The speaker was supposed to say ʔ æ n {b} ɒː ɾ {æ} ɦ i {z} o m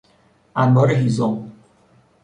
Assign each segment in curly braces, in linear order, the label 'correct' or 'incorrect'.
correct, incorrect, correct

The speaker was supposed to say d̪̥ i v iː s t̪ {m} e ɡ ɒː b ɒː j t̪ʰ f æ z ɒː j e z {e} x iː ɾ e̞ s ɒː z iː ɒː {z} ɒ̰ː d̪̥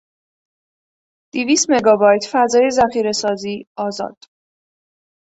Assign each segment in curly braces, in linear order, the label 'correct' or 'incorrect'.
correct, incorrect, correct

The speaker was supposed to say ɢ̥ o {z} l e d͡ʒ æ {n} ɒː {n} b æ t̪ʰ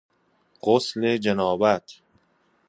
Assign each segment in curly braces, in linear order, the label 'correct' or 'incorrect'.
incorrect, correct, incorrect

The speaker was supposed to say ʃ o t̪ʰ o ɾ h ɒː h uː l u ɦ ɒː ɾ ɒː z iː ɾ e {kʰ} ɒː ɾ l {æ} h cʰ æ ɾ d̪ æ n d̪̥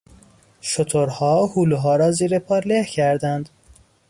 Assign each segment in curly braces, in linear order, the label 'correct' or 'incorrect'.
incorrect, incorrect

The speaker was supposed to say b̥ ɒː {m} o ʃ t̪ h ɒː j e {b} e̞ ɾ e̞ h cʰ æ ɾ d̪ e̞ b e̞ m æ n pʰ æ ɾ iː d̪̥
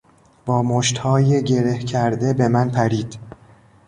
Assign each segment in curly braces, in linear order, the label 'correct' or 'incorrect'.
correct, incorrect

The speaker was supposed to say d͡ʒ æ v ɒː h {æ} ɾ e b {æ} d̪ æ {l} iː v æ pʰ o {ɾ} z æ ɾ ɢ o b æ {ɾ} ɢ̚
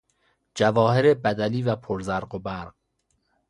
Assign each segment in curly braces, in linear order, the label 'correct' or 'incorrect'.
incorrect, correct, correct, correct, correct

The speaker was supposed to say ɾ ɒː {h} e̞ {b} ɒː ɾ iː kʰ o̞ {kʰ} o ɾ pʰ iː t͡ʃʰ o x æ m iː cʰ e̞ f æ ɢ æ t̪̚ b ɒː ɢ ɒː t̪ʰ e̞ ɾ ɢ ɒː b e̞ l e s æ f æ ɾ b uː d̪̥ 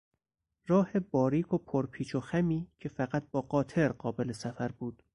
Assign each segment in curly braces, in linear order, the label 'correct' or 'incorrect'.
correct, correct, incorrect

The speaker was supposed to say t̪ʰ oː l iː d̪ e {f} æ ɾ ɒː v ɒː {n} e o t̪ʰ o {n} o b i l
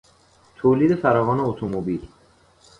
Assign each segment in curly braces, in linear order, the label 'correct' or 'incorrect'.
correct, correct, incorrect

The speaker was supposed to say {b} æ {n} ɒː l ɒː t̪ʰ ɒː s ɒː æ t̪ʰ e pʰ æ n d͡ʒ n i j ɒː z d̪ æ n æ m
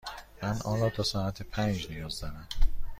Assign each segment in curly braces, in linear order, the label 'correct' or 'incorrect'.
incorrect, correct

